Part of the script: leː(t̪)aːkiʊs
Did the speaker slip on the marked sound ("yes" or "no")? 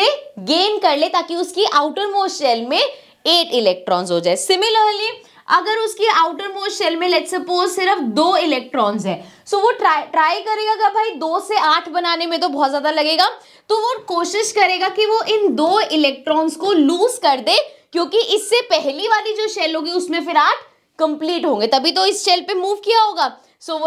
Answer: no